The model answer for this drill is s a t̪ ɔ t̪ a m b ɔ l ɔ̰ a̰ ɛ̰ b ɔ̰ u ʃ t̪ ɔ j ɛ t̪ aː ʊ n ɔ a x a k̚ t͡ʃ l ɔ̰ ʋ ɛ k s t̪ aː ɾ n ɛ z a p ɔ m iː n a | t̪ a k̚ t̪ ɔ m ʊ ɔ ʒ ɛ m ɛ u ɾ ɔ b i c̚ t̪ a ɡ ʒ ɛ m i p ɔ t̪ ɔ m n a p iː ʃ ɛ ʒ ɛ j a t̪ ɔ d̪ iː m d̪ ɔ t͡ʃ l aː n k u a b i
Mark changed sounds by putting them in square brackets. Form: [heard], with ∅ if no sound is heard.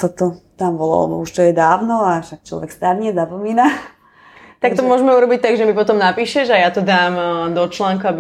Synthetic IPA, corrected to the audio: s a t̪ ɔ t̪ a m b ɔ l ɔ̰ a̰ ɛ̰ b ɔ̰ u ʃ t̪ ɔ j ɛ [d̪] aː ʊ n ɔ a [ʃ] a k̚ t͡ʃ l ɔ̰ ʋ ɛ k s t̪ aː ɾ [ɲ] ɛ z a p ɔ m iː n a | t̪ a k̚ t̪ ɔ m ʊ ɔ ʒ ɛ m ɛ u ɾ ɔ b i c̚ t̪ a ɡ ʒ ɛ m i p ɔ t̪ ɔ m n a p iː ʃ ɛ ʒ [a] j a t̪ ɔ d̪ [aː] m d̪ ɔ t͡ʃ l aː [ŋ] k u a b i